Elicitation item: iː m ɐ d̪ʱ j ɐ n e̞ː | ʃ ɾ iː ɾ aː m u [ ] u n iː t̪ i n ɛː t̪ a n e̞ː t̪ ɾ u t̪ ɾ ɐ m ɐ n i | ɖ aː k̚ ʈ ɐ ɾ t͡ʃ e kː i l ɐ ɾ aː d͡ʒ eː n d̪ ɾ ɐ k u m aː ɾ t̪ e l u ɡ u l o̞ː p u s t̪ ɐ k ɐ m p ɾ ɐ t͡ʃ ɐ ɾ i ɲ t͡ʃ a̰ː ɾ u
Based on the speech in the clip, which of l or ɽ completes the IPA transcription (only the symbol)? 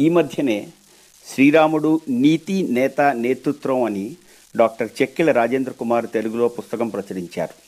ɽ